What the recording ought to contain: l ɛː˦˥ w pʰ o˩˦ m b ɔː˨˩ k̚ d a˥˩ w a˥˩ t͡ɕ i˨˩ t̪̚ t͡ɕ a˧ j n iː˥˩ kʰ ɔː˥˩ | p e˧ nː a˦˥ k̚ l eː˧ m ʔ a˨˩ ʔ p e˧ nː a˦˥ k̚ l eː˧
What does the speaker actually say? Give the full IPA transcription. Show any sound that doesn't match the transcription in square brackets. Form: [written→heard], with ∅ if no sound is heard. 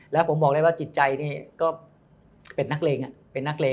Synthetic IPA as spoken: l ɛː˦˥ w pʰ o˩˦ m b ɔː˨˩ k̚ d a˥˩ w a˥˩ t͡ɕ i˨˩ t̪̚ t͡ɕ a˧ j n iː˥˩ [kʰ→k] ɔː˥˩ | p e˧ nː a˦˥ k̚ l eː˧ [m→ŋ] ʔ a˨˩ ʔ p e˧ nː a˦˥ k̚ l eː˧